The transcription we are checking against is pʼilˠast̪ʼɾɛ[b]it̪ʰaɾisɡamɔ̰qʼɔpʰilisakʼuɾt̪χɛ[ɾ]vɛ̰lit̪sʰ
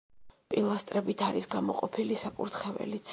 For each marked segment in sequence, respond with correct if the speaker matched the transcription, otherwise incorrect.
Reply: correct, incorrect

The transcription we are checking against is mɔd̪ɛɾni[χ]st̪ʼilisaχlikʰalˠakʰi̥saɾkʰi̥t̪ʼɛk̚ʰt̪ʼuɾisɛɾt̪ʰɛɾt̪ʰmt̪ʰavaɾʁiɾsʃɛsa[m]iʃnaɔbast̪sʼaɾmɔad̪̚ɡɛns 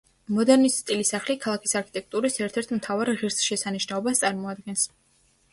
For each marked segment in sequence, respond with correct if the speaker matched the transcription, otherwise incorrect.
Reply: incorrect, incorrect

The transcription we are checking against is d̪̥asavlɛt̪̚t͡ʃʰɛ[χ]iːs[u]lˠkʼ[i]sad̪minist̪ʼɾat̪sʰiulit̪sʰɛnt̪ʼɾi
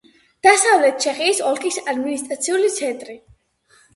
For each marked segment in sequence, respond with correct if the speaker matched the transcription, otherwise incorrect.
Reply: correct, incorrect, correct

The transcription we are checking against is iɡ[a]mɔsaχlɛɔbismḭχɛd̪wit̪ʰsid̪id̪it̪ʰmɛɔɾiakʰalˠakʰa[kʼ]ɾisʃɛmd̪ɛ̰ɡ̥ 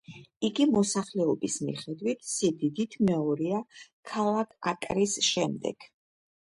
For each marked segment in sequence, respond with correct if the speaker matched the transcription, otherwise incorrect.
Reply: incorrect, correct

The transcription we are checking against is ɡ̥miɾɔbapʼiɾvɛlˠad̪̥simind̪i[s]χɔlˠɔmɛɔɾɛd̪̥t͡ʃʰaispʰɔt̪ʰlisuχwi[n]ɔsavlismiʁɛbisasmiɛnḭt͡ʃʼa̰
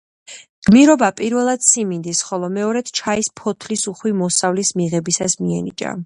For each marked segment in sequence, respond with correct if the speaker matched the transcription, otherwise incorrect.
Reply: correct, incorrect

